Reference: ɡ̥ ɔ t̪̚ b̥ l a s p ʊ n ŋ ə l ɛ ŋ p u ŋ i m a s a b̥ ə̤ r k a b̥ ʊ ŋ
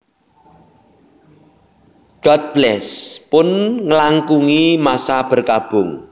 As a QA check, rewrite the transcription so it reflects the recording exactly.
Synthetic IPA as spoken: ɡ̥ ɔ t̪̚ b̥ l ɛ s p ʊ n ŋ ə l a ŋ k u ŋ i m a s a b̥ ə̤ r k a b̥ ʊ ŋ